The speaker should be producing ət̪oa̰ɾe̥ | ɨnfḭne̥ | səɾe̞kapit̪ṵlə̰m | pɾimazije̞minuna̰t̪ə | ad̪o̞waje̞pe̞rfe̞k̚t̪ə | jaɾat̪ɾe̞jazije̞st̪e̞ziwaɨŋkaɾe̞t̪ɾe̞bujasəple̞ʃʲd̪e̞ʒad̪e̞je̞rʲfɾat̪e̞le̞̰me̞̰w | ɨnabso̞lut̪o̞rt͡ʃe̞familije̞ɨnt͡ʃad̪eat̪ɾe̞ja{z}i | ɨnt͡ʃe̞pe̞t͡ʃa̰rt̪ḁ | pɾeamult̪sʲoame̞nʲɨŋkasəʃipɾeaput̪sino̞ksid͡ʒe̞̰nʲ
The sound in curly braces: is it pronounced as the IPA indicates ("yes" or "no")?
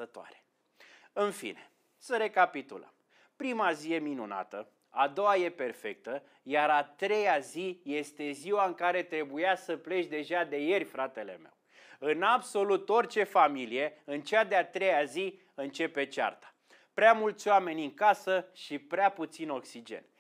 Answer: yes